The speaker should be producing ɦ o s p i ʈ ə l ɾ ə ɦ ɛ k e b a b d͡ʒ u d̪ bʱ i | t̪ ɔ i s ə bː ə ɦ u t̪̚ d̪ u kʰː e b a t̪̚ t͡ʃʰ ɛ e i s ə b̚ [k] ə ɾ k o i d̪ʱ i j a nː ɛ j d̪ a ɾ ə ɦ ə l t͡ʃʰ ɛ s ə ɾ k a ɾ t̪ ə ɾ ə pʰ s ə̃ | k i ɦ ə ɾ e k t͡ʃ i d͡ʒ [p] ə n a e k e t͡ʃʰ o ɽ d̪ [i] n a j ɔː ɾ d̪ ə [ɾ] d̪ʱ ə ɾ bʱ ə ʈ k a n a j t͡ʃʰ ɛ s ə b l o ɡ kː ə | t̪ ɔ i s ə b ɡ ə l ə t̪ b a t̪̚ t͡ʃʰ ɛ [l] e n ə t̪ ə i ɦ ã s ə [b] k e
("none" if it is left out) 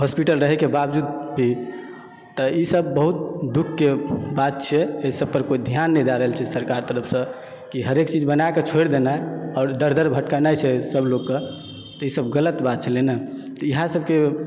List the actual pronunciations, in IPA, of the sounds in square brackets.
p, b, e, ɾ, l, b

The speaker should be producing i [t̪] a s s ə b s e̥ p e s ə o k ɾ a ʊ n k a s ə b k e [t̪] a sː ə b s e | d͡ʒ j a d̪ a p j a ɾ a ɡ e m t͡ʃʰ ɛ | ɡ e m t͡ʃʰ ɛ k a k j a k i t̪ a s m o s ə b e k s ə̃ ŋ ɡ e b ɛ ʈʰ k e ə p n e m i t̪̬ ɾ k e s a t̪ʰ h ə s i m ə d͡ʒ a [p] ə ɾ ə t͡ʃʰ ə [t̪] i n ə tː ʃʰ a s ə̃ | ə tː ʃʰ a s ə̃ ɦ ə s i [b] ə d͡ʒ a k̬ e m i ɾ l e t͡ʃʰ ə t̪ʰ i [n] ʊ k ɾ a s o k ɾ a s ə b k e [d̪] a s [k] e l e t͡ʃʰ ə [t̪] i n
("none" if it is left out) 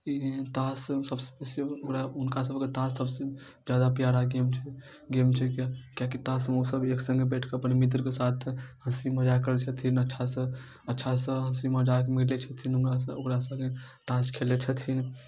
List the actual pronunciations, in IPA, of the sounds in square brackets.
t̪, t̪, k, t̪ʰ, m, n, t̪, kʰ, t̪ʰ

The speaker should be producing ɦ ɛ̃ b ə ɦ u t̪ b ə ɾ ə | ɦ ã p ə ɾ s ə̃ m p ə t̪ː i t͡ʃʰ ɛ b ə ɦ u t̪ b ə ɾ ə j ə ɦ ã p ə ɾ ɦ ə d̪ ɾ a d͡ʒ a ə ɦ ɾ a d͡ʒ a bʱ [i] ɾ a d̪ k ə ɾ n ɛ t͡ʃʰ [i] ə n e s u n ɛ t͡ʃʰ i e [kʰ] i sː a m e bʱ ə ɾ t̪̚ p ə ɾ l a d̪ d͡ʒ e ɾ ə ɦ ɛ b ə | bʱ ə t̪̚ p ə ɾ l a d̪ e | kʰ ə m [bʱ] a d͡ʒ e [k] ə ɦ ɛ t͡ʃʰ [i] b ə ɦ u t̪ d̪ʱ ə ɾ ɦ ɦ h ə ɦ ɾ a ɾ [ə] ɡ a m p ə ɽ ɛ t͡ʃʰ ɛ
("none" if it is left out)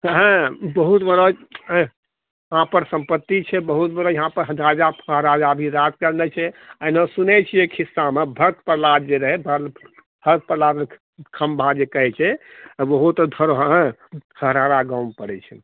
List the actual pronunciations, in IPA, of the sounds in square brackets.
i, ɛ, kʰ, bʱ, k, ɛ, a

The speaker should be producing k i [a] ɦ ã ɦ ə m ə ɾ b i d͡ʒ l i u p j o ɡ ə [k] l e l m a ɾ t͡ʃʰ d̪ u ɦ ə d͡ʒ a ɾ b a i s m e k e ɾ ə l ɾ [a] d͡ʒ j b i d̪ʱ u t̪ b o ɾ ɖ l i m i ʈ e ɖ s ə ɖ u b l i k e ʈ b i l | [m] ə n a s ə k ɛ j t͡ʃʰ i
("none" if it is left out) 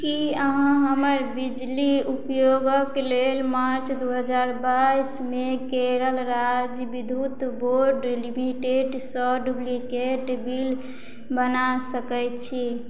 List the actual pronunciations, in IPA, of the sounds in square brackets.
ə, k, a, b

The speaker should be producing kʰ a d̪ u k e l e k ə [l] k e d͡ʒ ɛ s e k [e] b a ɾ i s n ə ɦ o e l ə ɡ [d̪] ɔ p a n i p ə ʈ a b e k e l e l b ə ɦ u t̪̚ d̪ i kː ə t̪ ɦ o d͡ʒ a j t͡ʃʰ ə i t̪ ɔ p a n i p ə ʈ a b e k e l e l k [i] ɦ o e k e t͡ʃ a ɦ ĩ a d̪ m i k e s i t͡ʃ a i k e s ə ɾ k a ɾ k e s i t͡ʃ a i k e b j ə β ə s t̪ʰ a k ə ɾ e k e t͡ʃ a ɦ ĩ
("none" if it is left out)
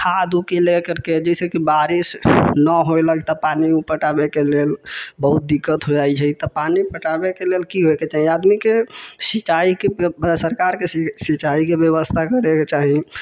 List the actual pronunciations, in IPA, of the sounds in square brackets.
ɾ, i, t̪, i

